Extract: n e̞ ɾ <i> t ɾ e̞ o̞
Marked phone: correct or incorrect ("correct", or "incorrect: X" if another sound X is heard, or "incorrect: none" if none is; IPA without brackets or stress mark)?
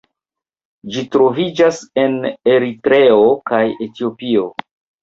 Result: correct